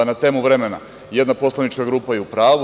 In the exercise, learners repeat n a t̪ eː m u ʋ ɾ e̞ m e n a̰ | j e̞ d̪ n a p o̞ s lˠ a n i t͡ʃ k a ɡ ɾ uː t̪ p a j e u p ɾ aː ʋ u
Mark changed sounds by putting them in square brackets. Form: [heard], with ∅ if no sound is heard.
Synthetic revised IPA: n a t̪ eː m u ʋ ɾ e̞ m e n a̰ | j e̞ d̪ n a p o̞ s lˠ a n i t͡ʃ k a ɡ ɾ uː [∅] p a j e u p ɾ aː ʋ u